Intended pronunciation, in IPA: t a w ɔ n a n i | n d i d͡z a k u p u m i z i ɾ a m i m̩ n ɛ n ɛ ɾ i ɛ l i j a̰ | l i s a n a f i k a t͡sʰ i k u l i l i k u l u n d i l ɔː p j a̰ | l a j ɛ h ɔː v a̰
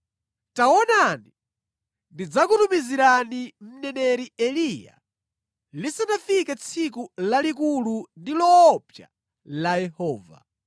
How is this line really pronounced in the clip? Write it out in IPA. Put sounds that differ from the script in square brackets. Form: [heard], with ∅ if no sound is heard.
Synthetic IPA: t a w ɔ n a n i | n d i d͡z a k u [t] u m i z i ɾ a [n] i m̩ n ɛ n ɛ ɾ i ɛ l i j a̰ | l i s a n a f i k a t͡sʰ i k u l [a] l i k u l u n d i l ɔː p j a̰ | l a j ɛ h ɔː v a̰